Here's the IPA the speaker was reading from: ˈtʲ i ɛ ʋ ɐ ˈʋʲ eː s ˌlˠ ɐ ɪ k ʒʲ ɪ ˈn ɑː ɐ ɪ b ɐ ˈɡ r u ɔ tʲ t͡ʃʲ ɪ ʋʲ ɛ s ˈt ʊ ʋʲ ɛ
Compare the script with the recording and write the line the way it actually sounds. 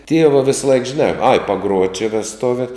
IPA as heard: ˈtʲ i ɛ ʋ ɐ ˈʋʲ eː s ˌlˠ ɐ ɪ k ʒʲ ɪ ˈn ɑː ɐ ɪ p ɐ ˈɡ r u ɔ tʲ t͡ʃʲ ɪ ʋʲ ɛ s ˈt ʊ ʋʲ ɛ